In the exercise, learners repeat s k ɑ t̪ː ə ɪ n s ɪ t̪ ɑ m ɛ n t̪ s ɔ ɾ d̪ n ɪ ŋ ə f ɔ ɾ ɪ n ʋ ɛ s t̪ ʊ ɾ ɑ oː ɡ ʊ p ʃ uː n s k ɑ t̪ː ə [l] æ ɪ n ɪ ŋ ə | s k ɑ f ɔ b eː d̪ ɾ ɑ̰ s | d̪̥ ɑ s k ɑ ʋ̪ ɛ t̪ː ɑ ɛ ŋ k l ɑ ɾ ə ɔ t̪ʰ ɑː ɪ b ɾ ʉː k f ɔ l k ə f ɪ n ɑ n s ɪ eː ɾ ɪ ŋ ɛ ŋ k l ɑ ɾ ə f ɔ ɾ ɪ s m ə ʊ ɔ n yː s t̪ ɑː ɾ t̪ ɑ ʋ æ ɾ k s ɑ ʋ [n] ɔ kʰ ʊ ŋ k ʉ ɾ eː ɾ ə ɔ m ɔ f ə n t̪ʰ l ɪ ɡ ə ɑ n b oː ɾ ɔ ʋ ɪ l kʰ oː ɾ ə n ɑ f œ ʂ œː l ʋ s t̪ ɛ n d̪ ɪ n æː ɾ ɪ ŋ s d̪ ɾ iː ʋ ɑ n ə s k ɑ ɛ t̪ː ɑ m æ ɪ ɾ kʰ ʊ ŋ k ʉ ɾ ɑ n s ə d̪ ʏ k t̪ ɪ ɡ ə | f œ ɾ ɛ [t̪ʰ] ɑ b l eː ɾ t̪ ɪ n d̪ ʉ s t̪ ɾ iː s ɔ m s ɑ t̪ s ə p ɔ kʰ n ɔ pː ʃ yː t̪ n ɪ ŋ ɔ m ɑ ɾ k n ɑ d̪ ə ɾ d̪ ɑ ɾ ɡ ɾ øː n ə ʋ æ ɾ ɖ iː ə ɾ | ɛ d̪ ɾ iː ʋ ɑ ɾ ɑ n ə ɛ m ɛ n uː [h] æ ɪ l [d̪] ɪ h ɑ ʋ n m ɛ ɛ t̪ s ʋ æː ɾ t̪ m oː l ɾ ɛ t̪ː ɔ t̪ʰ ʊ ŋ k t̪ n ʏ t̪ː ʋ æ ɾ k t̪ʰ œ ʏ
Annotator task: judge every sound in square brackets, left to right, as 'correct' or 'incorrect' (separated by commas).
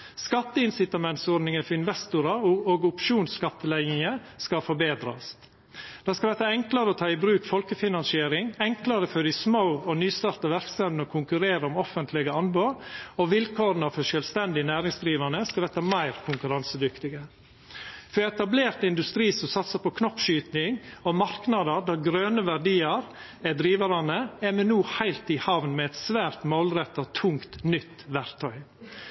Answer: correct, correct, incorrect, correct, incorrect